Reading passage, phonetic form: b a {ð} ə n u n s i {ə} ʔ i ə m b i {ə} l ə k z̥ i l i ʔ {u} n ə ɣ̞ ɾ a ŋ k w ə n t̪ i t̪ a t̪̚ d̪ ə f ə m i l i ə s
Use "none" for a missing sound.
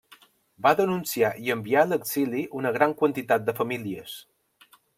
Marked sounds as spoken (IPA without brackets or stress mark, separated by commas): ð, a, a, u